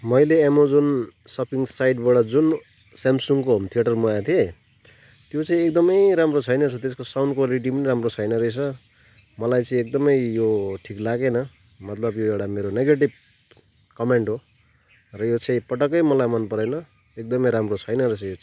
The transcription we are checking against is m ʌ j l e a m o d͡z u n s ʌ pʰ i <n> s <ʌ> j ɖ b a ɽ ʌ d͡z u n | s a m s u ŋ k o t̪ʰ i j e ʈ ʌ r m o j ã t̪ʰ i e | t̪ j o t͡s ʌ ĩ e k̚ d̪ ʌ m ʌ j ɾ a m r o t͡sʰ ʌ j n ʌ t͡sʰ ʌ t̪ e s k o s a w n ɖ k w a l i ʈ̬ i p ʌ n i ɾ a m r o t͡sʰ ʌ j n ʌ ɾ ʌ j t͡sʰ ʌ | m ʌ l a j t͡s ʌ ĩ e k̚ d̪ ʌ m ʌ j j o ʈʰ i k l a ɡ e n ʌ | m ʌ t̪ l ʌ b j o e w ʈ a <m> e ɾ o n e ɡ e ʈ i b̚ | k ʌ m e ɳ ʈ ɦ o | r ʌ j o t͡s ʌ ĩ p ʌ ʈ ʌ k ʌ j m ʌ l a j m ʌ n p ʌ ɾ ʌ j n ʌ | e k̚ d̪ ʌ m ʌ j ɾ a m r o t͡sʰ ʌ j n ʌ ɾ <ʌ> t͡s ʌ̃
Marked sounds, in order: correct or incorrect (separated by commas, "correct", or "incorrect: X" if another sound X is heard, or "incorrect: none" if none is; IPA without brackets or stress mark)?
incorrect: ŋ, incorrect: a, correct, correct